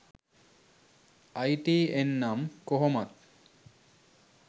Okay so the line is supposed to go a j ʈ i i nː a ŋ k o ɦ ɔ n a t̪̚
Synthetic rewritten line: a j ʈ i e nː a m k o ɦ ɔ m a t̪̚